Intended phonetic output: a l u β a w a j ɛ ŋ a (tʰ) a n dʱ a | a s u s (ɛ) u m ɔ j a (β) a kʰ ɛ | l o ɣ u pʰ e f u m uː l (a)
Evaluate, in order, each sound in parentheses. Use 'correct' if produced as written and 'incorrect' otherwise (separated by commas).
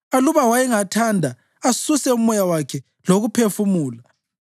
correct, correct, incorrect, correct